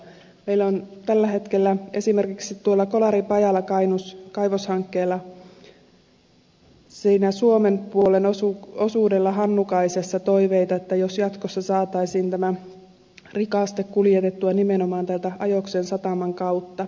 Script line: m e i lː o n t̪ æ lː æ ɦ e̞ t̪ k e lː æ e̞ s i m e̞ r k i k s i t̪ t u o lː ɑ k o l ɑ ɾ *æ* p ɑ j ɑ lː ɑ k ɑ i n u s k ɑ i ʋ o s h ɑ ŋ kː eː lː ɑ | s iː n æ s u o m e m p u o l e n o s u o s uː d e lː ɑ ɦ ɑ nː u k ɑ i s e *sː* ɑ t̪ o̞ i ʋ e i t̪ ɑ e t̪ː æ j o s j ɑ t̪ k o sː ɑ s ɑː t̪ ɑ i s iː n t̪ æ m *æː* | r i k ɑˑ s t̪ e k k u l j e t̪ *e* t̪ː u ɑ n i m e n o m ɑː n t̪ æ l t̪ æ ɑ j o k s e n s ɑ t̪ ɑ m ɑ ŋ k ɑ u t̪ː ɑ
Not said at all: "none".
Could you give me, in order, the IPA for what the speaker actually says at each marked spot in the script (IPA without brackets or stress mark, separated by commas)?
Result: i, sː, æ, e